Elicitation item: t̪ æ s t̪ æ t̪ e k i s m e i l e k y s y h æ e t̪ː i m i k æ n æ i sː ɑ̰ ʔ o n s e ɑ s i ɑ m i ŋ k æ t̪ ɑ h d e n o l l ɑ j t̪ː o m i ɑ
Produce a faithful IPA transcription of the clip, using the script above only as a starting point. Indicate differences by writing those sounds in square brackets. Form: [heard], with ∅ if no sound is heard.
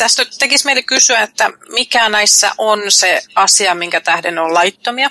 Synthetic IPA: t̪ æ s t̪ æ t̪ e k i s m e i l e k y s y [∅] æ e t̪ː [æ] m i k æ n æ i sː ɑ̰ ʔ o n s e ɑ s i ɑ m i ŋ k æ t̪ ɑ h d e n o l l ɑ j t̪ː o m i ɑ